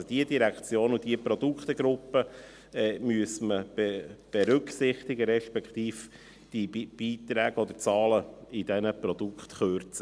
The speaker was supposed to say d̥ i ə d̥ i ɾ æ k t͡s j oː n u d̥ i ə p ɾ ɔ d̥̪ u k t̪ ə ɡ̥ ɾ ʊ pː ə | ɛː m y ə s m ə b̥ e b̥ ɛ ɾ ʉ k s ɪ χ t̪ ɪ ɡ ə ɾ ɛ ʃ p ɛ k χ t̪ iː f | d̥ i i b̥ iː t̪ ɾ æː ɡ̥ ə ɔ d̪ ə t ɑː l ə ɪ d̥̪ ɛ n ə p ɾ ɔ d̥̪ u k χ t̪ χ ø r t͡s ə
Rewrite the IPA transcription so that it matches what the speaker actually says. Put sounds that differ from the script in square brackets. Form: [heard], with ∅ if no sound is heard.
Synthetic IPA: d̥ i ə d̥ i ɾ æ k t͡s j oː n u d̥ i ə p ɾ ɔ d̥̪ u k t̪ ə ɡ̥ ɾ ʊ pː ə | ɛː m y ə s m ə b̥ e b̥ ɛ ɾ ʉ k s ɪ χ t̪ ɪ ɡ ə ɾ ɛ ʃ p ɛ k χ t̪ iː f | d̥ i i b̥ iː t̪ ɾ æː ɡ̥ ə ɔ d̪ ə [t͡s] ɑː l ə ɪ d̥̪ ɛ n ə p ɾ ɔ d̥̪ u k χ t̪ χ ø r t͡s ə